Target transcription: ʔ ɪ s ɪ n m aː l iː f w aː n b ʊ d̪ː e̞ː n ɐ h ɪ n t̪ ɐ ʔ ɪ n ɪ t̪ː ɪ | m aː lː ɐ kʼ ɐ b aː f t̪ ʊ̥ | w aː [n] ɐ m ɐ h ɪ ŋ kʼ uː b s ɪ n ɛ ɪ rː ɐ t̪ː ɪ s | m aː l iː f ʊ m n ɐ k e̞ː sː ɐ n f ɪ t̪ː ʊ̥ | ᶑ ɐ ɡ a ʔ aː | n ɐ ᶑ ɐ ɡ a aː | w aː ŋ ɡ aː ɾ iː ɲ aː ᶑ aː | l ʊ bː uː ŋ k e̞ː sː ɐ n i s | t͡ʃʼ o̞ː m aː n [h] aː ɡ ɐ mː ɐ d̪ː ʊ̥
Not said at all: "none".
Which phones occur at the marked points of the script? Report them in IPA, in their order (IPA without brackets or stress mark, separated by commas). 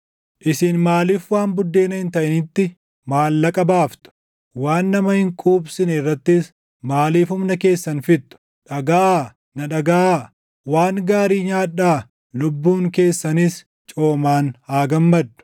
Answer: nː, h